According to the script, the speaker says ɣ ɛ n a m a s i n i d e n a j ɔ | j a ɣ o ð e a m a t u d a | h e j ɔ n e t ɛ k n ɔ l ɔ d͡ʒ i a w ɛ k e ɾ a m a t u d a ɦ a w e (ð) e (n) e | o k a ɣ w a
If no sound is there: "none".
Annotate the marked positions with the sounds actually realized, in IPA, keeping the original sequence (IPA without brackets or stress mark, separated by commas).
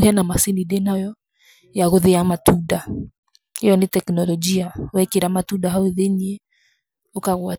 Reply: ð, ɲ